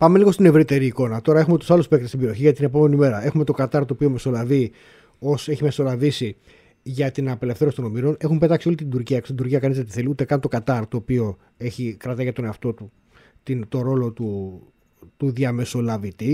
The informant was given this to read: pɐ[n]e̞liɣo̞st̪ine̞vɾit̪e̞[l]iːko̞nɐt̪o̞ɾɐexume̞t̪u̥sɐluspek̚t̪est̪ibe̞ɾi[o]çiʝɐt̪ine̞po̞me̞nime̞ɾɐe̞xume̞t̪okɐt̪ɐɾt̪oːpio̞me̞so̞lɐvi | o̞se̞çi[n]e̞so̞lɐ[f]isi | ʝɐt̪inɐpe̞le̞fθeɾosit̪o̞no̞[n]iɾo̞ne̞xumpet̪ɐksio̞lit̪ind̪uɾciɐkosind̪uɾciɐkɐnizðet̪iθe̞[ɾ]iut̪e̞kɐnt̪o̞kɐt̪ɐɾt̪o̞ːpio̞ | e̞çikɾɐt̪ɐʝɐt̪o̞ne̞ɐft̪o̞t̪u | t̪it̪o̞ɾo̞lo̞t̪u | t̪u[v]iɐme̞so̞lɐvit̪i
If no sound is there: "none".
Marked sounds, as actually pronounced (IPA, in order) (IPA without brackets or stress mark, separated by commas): m, ɾ, o, m, v, m, l, ð